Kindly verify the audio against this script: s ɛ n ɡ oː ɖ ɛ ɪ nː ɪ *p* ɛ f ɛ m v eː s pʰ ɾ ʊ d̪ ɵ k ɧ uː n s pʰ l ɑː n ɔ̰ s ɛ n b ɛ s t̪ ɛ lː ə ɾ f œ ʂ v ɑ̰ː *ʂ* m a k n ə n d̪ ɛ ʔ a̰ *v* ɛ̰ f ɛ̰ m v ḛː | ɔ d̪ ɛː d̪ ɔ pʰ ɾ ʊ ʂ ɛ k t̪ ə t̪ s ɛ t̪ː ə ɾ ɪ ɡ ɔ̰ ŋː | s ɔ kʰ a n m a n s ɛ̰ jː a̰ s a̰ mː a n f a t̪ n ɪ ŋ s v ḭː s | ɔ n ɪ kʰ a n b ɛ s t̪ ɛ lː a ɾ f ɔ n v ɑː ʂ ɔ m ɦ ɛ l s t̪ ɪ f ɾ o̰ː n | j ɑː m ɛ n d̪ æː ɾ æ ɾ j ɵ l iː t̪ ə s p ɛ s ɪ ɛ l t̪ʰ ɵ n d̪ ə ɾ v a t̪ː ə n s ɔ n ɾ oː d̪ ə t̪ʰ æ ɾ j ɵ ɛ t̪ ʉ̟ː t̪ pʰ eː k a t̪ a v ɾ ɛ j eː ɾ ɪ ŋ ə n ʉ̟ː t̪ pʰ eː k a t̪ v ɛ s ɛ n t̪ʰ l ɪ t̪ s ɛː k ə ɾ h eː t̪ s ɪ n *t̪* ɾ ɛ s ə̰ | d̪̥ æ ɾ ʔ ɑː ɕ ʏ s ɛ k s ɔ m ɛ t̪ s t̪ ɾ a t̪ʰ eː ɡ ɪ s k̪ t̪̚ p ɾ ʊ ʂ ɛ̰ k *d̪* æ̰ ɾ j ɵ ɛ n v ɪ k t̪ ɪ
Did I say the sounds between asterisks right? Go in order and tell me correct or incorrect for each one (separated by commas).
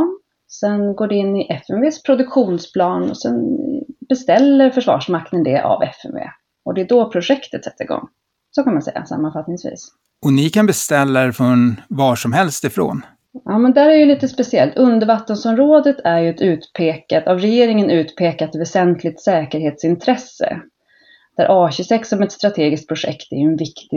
incorrect, correct, correct, incorrect, incorrect